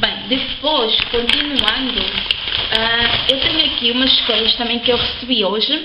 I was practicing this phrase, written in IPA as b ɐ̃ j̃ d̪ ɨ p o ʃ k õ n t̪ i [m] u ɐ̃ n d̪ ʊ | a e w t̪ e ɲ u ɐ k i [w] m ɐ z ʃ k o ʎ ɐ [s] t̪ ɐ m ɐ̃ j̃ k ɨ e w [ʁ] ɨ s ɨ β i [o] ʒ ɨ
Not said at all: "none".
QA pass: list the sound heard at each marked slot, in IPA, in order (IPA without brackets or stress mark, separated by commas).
n, u, ʃ, ʁ, o